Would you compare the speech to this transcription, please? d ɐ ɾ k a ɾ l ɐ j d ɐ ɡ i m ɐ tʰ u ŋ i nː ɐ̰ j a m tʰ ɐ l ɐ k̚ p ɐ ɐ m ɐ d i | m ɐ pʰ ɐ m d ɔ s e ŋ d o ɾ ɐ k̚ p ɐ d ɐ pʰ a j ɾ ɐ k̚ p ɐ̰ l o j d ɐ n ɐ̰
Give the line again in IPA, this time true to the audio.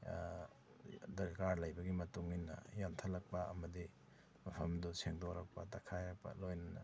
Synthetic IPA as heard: d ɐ ɾ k a ɾ l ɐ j b ɐ ɡ i m ɐ t u ŋ i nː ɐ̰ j a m tʰ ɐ l ɐ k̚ p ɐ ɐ m ɐ d i | m ɐ pʰ ɐ m d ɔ s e ŋ d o ɾ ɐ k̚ p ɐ t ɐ kʰ a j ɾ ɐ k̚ p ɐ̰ l o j n ɐ n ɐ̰